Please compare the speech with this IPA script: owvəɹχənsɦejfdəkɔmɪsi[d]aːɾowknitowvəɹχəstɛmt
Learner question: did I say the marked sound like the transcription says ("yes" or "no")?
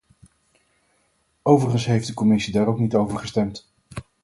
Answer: yes